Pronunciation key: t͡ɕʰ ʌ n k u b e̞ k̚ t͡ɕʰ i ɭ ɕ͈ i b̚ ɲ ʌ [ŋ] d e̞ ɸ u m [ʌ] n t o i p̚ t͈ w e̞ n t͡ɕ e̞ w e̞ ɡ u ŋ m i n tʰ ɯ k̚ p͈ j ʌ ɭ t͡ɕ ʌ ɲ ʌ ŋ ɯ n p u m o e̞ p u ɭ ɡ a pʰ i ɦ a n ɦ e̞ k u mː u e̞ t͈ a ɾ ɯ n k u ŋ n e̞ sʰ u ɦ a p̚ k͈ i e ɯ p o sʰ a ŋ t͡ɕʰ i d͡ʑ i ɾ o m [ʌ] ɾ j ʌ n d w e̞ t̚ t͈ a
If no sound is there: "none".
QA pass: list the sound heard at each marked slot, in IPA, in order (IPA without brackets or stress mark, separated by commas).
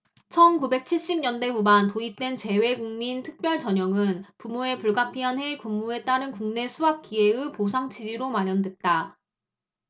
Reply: n, a, a